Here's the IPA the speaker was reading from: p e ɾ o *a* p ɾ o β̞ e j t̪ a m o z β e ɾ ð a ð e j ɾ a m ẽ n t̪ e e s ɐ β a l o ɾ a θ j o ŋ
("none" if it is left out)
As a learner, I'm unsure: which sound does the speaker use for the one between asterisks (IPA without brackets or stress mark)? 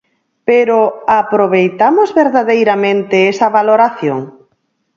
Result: a